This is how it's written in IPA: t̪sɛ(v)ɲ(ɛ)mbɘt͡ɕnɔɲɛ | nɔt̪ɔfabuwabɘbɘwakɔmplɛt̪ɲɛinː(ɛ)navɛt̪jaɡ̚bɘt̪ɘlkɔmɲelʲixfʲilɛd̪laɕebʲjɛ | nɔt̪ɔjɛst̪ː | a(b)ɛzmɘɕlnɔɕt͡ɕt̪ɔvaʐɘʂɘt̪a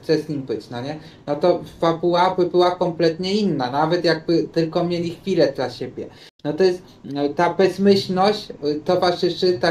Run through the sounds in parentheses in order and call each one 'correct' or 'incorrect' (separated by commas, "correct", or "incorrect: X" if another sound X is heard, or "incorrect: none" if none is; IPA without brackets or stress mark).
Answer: incorrect: z, incorrect: i, incorrect: a, correct